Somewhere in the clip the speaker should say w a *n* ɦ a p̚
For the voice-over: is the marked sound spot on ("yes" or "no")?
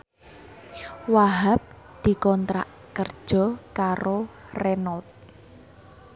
no